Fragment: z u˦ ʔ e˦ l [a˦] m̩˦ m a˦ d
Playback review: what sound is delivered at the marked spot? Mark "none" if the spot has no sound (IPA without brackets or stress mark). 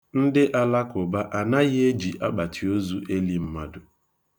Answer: i˦